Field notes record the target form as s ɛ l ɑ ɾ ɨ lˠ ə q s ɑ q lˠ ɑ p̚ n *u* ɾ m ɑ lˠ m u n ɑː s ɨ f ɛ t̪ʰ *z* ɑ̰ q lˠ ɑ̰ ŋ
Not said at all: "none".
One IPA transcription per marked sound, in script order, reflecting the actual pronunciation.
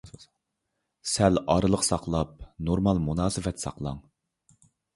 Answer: o, s

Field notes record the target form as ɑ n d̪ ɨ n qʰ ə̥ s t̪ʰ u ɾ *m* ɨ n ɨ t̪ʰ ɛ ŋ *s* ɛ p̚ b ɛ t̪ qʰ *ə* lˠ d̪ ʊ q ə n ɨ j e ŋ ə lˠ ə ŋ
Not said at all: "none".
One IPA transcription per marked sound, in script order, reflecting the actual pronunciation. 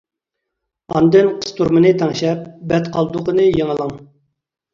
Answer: m, ʃ, ɑ

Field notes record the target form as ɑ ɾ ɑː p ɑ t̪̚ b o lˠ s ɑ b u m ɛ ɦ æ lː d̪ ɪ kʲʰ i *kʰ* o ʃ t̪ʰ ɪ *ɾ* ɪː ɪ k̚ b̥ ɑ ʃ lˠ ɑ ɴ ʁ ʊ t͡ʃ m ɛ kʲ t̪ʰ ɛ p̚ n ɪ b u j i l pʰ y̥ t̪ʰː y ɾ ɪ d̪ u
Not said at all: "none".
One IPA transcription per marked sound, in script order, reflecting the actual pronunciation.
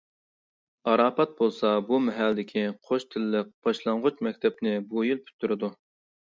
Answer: qʰ, l

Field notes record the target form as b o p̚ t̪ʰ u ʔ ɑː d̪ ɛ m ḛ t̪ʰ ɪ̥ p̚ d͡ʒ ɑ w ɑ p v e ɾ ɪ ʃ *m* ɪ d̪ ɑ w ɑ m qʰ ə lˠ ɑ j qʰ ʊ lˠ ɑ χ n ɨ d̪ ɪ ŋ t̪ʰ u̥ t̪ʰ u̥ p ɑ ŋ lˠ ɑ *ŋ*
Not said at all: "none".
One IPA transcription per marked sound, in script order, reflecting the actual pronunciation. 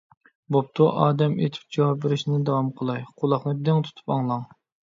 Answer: n, ŋ

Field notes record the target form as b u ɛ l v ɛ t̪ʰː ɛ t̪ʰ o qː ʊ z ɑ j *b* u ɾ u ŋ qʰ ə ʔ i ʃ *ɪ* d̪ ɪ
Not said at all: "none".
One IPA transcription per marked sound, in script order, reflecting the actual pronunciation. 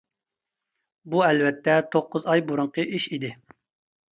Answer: b, i

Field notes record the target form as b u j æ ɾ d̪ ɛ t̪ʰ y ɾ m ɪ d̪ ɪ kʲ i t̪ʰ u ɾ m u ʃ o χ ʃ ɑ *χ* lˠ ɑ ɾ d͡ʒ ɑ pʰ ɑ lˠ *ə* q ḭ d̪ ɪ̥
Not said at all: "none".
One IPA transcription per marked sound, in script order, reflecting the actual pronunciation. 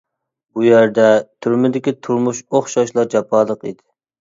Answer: ʃ, ə

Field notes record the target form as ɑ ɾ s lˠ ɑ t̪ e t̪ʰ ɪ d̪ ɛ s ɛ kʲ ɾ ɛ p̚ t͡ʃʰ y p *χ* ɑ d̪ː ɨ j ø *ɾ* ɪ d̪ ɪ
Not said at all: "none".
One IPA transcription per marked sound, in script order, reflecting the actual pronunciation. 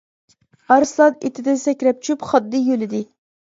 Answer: χ, l

